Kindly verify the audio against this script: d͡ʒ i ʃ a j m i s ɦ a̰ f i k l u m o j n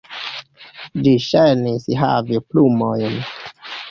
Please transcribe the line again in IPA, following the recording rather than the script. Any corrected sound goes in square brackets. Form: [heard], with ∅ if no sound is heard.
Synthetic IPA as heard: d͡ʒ i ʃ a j [n] i s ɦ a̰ [v] i [p] l u m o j n